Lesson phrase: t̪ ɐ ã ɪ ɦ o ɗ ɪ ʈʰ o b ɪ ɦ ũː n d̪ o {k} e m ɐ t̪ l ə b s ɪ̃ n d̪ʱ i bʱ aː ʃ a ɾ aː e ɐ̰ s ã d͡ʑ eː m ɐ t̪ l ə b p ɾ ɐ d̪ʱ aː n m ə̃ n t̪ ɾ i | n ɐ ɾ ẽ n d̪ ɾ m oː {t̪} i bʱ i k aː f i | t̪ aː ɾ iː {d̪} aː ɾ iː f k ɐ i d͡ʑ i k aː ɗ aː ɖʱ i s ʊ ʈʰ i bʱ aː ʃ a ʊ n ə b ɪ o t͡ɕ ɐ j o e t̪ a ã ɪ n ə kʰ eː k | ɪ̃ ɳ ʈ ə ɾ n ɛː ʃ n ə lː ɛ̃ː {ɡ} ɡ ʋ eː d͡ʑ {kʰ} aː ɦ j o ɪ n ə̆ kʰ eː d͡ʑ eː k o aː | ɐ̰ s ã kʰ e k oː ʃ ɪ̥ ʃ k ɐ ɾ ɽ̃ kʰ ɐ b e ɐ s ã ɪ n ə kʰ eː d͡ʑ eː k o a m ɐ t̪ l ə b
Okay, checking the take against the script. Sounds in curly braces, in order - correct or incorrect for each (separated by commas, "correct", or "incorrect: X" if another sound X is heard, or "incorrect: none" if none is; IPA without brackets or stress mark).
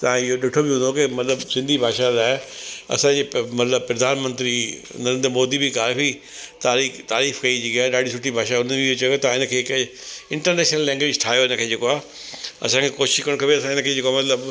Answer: correct, incorrect: d̪, incorrect: t̪, incorrect: ŋ, incorrect: ʈʰ